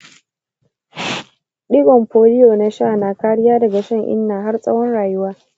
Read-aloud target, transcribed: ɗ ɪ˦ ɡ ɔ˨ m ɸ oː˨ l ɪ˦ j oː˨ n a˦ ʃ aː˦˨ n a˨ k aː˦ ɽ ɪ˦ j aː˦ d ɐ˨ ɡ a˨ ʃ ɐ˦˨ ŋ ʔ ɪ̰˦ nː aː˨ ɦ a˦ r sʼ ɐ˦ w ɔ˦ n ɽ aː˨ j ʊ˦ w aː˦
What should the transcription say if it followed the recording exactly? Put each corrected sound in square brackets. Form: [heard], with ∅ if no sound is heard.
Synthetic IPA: ɗ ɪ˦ ɡ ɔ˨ m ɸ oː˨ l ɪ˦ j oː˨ n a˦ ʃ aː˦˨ n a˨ k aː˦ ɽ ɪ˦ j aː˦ d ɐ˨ ɡ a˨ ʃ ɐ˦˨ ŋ ʔ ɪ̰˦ nː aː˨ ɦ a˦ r sʼ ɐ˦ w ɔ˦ n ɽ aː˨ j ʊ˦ w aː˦